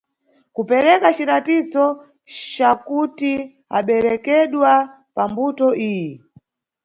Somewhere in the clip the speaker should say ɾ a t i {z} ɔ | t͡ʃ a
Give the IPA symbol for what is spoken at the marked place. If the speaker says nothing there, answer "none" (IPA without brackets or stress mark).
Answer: z